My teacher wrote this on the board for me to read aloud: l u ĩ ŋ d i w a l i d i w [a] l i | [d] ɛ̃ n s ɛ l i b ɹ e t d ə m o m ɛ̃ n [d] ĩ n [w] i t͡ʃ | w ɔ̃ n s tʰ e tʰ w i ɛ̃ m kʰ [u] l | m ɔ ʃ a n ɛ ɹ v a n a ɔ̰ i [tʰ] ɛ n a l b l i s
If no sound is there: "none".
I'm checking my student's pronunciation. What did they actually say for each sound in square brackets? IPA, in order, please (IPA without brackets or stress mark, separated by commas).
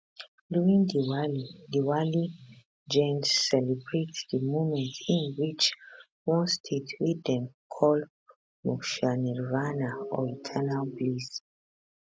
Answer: a, d͡ʒ, t, w, ɔ, tʰ